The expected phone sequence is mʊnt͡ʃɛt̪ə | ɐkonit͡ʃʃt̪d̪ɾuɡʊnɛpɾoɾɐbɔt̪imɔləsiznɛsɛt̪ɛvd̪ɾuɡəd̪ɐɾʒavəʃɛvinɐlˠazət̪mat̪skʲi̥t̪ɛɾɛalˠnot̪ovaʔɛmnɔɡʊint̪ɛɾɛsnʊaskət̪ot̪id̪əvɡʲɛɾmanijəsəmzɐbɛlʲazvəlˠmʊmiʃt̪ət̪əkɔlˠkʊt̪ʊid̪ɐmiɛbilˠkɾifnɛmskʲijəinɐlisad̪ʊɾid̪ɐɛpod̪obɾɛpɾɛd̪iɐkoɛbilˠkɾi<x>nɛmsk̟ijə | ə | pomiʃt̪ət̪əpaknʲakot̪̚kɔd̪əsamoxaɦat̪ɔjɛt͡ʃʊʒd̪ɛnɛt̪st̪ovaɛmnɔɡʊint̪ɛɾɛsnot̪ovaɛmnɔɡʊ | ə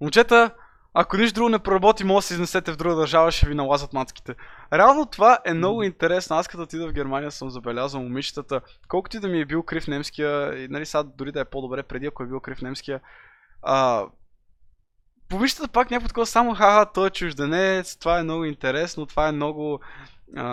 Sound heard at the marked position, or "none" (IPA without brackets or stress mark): f